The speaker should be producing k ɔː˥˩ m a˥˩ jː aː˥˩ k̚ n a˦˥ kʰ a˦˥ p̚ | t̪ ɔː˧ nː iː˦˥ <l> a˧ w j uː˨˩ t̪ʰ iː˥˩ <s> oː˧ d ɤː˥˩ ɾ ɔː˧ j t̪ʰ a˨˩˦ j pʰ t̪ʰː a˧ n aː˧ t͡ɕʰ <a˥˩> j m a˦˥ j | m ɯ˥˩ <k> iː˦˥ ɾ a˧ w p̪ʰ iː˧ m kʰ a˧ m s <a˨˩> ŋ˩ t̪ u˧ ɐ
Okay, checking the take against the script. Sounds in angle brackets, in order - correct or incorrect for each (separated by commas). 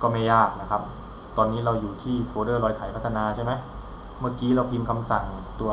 incorrect, incorrect, correct, correct, correct